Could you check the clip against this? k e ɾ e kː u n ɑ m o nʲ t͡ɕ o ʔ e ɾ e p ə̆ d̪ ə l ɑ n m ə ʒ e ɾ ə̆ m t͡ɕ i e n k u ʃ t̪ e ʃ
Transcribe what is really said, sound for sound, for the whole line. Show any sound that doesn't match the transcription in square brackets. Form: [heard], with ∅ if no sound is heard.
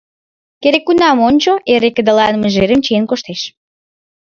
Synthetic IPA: k e ɾ e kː u n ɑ m o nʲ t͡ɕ o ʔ e ɾ e [k] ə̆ d̪ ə l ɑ n m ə ʒ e ɾ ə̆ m t͡ɕ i e n k [o] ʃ t̪ e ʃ